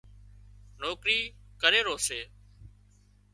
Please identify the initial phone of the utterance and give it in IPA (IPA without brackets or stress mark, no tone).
n